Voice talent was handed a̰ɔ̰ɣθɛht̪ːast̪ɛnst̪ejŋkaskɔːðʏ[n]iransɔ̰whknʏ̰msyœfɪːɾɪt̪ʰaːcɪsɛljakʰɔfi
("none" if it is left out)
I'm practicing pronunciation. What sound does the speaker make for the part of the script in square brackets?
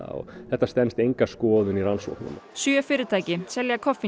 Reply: n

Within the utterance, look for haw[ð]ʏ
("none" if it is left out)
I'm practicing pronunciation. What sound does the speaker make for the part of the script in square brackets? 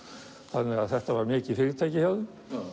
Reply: ð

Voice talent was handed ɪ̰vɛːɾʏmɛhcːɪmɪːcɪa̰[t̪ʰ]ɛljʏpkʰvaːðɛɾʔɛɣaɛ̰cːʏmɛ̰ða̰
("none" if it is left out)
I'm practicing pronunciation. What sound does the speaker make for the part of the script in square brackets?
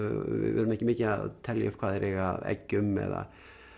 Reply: t̪ʰ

